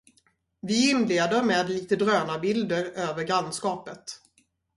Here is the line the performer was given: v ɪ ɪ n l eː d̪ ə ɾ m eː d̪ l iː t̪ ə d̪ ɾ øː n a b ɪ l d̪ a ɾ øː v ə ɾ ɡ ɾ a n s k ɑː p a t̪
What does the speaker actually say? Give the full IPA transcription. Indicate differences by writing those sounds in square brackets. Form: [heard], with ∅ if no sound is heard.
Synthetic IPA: v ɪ ɪ n l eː d̪ ə ɾ m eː d̪ l iː t̪ ə d̪ ɾ øː n a b ɪ l d̪ [ə] ɾ øː v ə ɾ ɡ ɾ a n s k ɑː p [ə] t̪